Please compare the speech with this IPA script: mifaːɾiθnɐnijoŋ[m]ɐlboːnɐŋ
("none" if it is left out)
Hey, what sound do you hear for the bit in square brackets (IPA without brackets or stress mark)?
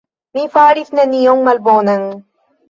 m